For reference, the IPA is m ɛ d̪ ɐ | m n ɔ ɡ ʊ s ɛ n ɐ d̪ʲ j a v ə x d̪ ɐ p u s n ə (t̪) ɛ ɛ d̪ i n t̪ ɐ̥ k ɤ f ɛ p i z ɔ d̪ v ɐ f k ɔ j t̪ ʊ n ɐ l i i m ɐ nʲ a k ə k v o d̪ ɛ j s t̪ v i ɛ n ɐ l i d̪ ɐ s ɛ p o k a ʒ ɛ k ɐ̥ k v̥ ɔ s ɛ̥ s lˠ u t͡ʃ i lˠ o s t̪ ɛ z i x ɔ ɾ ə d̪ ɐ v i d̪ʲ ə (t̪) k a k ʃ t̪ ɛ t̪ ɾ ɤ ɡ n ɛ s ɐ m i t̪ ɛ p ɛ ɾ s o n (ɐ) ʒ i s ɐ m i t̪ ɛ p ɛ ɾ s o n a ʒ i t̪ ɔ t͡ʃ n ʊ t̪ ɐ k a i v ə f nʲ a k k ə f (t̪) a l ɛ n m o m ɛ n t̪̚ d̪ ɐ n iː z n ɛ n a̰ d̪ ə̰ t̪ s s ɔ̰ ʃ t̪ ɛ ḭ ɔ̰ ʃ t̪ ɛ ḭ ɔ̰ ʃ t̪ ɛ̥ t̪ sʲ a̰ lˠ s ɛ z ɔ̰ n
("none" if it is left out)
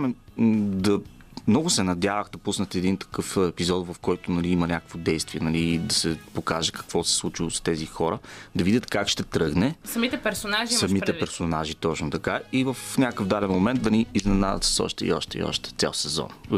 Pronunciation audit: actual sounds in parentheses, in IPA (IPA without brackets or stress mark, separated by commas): t̪, t̪, a, d̪